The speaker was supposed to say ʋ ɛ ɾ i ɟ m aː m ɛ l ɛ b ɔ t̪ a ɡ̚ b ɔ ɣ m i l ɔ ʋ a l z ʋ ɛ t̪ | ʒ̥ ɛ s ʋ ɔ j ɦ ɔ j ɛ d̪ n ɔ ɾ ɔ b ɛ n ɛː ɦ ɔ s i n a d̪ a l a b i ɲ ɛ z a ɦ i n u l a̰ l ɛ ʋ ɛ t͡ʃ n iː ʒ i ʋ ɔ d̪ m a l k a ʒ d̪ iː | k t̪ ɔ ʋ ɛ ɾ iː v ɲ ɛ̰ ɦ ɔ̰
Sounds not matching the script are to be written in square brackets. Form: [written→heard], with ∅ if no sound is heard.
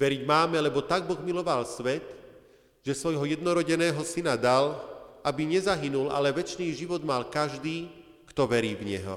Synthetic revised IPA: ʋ ɛ ɾ i ɟ m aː m ɛ l ɛ b ɔ t̪ a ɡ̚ b ɔ ɣ m i l ɔ ʋ a l [z→s] ʋ ɛ t̪ | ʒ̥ ɛ s ʋ ɔ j ɦ ɔ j ɛ d̪ n ɔ ɾ ɔ [b→ɟ] ɛ n ɛː ɦ ɔ s i n a d̪ a l a b i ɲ ɛ z a ɦ i n u l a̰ l ɛ ʋ ɛ t͡ʃ n iː ʒ i ʋ ɔ d̪ m a l k a ʒ d̪ iː | k t̪ ɔ ʋ ɛ ɾ iː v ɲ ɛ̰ ɦ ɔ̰